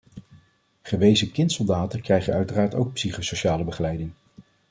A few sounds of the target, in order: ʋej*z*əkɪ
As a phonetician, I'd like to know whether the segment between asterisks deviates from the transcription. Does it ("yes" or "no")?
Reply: no